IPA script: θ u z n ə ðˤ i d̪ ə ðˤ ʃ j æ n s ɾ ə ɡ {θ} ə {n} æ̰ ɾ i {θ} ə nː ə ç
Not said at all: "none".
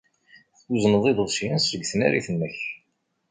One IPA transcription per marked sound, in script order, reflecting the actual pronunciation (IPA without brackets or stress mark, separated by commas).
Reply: θ, n, θ